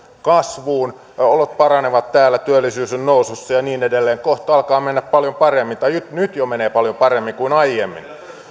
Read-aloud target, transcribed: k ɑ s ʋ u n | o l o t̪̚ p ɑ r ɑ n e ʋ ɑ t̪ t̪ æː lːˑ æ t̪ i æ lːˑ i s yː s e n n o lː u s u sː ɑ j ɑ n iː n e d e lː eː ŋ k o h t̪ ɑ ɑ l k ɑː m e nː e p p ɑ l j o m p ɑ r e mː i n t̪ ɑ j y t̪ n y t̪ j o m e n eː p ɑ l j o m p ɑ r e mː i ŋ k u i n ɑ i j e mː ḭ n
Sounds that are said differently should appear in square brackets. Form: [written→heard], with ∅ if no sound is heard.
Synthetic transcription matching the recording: k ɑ s ʋ [u→uː] n | o l o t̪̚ p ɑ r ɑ n e ʋ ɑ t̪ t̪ æː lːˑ æ t̪ [i→y] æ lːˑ i s yː s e n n o [lː→∅] u s u sː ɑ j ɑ n iː n e d e lː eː ŋ k o h t̪ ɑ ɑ l k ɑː m e nː [e→æ] p p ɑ l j o m p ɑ r e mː i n t̪ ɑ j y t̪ n y t̪ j o m e n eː p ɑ l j o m p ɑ r e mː i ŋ k u i n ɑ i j e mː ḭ n